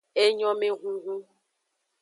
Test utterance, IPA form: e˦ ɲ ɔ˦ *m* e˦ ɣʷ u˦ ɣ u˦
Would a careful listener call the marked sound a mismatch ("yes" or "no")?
no